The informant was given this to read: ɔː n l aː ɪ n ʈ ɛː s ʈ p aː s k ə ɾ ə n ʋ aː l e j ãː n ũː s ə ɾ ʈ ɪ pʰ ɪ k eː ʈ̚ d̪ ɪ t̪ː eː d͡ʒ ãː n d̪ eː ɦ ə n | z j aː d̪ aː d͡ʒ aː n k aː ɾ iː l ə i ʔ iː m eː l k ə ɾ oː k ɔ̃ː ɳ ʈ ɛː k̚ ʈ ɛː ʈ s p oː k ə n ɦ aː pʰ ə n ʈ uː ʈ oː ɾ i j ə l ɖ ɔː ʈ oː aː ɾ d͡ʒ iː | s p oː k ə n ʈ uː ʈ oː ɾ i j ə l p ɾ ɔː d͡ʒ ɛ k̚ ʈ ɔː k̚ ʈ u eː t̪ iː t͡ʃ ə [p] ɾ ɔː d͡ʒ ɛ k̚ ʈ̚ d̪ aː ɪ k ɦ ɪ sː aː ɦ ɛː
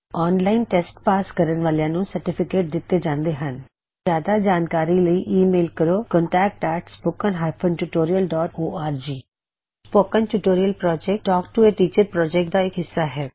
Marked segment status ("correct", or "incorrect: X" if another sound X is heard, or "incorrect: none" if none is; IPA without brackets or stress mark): correct